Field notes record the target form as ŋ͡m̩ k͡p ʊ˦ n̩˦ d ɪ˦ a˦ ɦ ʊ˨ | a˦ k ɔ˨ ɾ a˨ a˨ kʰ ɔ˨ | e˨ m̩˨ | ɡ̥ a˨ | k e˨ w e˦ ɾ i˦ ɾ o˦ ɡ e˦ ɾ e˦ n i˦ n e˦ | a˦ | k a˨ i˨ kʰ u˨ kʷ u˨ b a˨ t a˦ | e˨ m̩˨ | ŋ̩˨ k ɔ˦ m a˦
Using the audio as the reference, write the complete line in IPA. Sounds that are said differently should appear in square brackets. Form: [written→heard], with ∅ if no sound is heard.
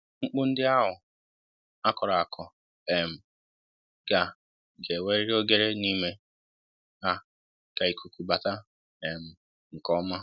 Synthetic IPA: ŋ͡m̩ k͡p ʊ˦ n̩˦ d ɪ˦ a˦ ɦ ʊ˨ | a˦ k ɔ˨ ɾ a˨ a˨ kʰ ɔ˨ | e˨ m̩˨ | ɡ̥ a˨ | [k→ɡ] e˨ w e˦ ɾ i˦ ɾ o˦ ɡ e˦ ɾ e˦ n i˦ [n→m] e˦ | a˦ | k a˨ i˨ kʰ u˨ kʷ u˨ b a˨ t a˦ | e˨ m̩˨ | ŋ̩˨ k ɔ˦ m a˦